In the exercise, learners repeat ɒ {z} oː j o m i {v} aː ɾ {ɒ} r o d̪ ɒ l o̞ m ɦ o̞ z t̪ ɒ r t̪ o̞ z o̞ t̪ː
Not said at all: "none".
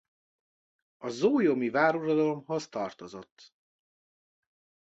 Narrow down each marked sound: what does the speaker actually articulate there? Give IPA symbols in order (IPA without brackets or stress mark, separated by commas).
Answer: z, v, u